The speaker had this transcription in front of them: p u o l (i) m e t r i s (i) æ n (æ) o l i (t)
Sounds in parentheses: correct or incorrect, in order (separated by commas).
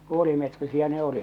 correct, correct, incorrect, correct